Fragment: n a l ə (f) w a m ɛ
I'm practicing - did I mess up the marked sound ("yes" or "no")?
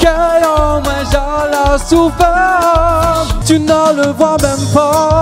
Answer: yes